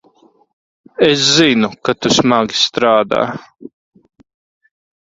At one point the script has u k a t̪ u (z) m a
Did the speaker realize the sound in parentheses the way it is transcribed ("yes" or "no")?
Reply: no